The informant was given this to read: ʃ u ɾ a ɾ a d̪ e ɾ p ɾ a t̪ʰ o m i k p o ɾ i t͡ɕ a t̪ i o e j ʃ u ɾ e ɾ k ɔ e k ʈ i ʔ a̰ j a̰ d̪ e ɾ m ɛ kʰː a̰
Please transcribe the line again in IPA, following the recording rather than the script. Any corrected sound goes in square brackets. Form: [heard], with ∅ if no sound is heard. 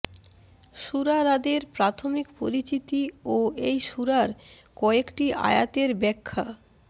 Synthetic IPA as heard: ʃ u ɾ a ɾ a d̪ e ɾ p ɾ a t̪ʰ o m i k p o ɾ i t͡ɕ [i] t̪ i o e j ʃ u ɾ [a] ɾ k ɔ e k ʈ i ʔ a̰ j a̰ [t̪] e ɾ [b] ɛ kʰː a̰